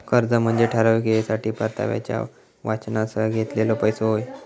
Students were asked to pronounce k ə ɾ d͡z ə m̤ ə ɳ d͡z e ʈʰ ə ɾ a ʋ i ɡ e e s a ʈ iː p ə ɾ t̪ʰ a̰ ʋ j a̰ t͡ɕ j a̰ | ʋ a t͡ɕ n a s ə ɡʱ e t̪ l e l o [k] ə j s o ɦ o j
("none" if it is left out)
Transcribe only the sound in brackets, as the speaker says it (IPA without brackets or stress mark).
p